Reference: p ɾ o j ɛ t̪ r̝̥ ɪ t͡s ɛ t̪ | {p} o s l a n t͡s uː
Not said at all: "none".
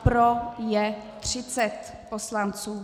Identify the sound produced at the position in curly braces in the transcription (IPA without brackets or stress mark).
p